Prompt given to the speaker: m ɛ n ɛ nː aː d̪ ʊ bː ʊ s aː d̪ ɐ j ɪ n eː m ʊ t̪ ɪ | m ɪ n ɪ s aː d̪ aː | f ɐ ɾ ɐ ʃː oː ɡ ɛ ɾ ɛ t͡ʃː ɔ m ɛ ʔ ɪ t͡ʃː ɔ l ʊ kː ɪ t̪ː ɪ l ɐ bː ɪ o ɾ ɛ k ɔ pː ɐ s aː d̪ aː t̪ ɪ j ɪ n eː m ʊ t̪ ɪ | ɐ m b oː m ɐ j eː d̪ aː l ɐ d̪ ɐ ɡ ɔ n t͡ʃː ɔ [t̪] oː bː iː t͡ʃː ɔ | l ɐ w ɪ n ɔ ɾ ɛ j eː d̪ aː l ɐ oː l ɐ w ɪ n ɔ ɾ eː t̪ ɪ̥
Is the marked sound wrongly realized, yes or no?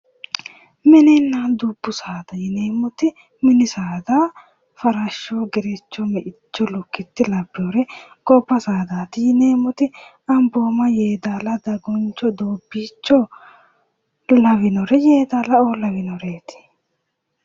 yes